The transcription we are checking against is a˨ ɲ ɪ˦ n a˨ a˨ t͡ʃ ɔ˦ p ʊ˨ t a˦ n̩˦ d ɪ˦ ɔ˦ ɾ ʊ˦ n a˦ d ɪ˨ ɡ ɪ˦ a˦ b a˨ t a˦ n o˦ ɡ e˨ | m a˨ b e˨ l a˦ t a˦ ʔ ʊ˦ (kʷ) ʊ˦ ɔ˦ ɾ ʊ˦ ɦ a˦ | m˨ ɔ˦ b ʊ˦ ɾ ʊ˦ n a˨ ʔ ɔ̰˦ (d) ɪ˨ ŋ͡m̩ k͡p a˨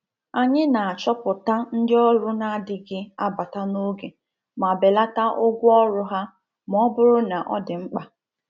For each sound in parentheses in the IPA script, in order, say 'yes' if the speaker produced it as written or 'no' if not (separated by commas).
no, yes